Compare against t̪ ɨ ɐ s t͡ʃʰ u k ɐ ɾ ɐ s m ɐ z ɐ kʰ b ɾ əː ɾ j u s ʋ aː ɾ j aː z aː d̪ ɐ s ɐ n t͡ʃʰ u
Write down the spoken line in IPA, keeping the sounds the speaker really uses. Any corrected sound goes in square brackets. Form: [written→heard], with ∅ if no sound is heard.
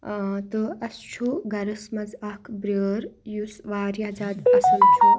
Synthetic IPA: t̪ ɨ ɐ s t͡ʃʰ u [k→ɡ] ɐ ɾ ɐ s m ɐ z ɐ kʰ b ɾ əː ɾ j u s ʋ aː ɾ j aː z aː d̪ ɐ s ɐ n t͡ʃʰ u